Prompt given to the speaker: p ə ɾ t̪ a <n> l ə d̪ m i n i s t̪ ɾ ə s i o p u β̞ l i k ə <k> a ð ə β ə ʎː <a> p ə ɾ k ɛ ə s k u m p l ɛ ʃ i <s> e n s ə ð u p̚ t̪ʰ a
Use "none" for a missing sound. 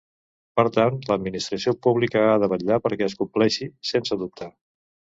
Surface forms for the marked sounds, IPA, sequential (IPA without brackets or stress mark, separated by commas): n, none, a, s